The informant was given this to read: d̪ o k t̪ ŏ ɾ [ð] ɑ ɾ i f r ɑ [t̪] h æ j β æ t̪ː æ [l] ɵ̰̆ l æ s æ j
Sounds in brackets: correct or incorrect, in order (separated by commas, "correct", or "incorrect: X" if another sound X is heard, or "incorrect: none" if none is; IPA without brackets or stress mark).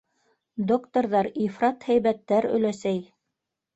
correct, correct, incorrect: ɾ